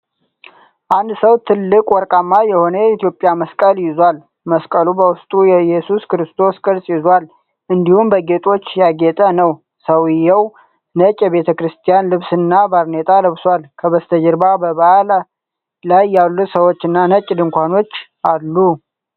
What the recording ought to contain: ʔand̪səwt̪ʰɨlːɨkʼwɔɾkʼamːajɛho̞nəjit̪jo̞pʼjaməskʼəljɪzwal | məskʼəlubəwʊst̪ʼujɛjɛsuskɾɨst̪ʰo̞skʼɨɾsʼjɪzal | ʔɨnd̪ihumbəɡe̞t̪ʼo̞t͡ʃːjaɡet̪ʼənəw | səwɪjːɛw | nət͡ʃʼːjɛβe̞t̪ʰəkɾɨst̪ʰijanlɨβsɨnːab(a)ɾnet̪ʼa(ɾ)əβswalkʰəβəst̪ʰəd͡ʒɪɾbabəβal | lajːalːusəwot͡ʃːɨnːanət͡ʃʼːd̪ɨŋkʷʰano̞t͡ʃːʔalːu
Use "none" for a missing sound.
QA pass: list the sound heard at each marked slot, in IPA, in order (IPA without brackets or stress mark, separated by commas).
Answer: a, l